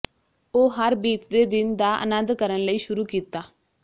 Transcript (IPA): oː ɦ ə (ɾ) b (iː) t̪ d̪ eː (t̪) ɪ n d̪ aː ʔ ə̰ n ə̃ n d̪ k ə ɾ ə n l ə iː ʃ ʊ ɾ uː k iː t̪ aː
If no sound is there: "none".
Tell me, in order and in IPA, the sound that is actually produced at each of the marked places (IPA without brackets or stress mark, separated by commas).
ɾ, iː, d̪